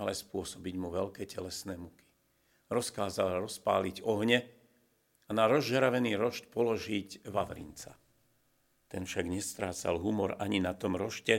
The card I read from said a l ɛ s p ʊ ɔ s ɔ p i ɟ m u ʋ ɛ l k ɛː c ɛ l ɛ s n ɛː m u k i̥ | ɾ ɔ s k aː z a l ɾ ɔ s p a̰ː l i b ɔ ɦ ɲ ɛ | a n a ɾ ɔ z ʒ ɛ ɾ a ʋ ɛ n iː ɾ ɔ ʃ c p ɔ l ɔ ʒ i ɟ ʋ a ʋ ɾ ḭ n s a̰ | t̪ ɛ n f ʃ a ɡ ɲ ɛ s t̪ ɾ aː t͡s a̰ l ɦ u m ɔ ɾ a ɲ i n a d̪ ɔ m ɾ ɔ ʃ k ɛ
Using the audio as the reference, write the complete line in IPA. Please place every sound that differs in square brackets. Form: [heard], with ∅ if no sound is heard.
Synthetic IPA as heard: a l ɛ s p ʊ ɔ s ɔ [b] i ɟ m u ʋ ɛ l k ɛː c ɛ l ɛ s n ɛː m u k i̥ | ɾ ɔ s k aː z a l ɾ ɔ s p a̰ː l i [ɟ] ɔ ɦ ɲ ɛ | a n a ɾ ɔ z ʒ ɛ ɾ a ʋ ɛ n iː ɾ ɔ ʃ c p ɔ l ɔ ʒ i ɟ ʋ a ʋ ɾ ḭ n [t͡s] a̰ | t̪ ɛ n f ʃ a ɡ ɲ ɛ s t̪ ɾ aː t͡s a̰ l ɦ u m ɔ ɾ a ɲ i n a [t̪] ɔ m ɾ ɔ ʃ [c] ɛ